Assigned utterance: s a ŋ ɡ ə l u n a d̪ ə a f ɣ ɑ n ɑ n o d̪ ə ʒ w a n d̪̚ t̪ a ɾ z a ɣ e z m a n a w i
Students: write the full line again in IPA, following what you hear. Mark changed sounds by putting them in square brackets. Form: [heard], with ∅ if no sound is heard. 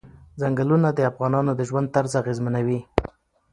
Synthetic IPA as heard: [z] a ŋ ɡ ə l u n a d̪ ə a f ɣ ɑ n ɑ n o d̪ ə ʒ w a n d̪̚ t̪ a ɾ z a ɣ e z m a n a w i